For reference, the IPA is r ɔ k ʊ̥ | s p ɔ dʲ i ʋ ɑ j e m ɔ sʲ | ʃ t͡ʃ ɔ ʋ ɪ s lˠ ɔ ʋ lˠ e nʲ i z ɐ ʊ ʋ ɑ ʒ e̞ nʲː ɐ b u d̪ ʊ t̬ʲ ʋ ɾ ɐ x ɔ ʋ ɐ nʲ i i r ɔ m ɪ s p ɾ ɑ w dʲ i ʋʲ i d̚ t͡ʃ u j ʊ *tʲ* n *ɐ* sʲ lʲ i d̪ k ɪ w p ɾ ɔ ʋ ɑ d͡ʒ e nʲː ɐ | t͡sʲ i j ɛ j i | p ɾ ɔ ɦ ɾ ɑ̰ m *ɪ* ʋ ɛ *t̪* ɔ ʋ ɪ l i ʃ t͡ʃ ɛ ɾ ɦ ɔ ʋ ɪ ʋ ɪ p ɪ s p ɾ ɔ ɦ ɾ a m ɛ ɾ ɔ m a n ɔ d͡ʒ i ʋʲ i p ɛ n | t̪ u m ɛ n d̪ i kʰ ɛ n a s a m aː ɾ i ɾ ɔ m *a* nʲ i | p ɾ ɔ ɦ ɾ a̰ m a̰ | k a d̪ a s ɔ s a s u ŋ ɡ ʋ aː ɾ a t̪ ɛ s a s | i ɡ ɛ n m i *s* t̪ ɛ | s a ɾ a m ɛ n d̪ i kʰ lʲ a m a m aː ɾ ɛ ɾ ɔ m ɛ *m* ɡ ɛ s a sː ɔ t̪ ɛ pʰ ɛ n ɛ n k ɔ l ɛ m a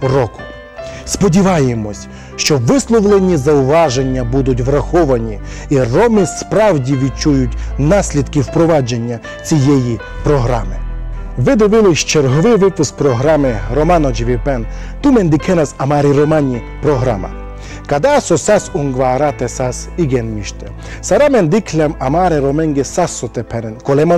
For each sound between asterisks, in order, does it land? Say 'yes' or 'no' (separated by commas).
yes, no, yes, no, yes, no, no